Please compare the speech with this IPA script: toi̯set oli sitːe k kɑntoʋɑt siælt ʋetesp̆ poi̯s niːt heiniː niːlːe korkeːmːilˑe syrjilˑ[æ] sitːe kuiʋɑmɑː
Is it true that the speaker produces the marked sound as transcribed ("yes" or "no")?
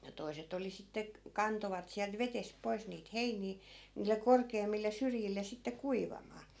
no